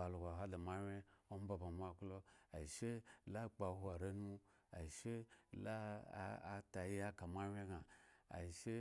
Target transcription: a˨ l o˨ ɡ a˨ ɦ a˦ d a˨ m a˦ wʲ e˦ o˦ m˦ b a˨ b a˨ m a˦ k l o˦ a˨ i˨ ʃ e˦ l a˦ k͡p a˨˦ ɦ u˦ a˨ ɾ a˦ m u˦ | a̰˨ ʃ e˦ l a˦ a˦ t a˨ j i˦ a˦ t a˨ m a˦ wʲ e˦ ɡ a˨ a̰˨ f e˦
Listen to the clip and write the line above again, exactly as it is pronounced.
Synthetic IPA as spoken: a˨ l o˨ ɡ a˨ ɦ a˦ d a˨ m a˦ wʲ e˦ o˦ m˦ b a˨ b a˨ m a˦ k l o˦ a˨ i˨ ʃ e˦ l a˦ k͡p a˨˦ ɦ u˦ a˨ ɾ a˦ n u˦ | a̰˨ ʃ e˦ l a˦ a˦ t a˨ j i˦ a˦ k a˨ m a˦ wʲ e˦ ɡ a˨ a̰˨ ʃ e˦